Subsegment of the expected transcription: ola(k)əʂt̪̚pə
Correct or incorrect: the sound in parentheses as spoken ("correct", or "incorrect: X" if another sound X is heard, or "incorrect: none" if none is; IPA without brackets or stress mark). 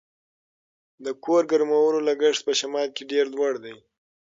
incorrect: ɡ